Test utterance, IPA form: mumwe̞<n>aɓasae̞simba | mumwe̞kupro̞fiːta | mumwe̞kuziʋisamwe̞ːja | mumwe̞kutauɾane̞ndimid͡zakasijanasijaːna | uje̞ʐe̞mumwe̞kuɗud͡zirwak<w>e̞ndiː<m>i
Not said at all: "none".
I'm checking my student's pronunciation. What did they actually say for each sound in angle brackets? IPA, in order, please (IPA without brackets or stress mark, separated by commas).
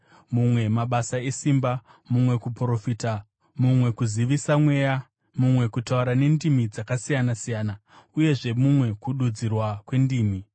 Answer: m, w, m